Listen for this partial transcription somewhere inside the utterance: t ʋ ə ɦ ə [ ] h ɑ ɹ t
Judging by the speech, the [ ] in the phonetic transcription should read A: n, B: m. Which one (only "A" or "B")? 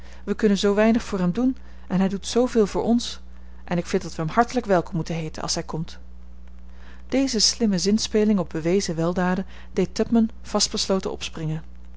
B